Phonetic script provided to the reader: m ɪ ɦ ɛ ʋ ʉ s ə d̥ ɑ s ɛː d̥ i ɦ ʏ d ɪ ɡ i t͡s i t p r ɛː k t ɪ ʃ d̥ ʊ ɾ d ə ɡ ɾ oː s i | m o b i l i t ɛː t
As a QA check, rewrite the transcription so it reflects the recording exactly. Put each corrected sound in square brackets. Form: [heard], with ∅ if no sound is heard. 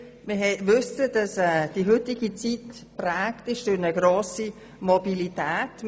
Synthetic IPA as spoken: m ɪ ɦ ɛ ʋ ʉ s ə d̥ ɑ s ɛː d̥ i ɦ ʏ [t] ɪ ɡ i t͡s i t p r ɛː k t ɪ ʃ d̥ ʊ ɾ [n] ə ɡ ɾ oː s i | m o b i l i t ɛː t